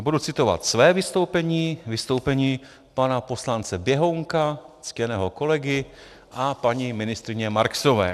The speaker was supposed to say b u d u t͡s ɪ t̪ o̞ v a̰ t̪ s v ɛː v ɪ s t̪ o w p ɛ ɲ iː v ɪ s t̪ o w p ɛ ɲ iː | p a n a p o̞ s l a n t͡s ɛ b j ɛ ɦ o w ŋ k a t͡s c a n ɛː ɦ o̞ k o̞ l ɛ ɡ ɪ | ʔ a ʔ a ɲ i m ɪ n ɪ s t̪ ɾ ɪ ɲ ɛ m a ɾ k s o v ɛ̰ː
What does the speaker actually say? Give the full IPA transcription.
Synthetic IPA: b u d u t͡s ɪ t̪ o̞ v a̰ t̪ s v ɛː v ɪ s t̪ o w p ɛ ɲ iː v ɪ s t̪ o w p ɛ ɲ iː | p a n a p o̞ s l a n t͡s ɛ b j ɛ ɦ o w ŋ k a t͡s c ɛ n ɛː ɦ o̞ k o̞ l ɛ ɡ ɪ | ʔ a p a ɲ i m ɪ n ɪ s t̪ ɾ ɪ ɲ ɛ m a ɾ k s o v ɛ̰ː